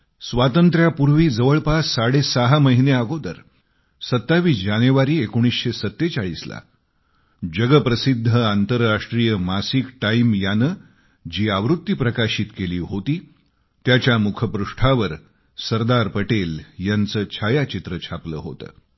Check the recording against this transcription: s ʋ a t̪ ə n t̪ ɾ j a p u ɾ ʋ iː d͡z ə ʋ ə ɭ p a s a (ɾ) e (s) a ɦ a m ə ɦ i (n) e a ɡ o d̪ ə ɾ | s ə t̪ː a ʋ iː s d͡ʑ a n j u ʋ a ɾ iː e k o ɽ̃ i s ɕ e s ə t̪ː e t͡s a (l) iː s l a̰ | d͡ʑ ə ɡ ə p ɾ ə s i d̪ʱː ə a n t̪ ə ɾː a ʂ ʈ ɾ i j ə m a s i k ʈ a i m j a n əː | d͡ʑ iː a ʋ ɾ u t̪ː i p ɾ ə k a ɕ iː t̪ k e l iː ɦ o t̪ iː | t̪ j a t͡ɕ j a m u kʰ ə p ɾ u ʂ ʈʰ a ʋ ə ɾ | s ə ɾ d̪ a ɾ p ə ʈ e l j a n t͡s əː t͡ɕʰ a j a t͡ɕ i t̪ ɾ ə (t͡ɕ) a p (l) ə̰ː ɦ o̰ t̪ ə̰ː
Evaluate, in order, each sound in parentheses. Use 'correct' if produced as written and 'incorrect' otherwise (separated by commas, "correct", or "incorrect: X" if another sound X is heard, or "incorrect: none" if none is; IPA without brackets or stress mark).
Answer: incorrect: ɽ, correct, correct, incorrect: ɭ, incorrect: t͡ɕʰ, correct